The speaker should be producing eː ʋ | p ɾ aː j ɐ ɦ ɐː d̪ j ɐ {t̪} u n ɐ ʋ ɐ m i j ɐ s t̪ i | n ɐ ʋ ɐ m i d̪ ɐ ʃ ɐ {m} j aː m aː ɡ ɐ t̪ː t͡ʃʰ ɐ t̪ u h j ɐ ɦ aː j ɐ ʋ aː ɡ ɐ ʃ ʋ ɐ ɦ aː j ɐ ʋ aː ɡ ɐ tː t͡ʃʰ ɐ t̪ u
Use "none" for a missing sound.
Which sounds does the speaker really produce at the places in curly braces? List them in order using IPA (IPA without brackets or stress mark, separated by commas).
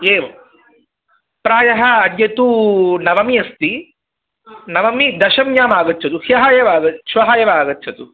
t̪, m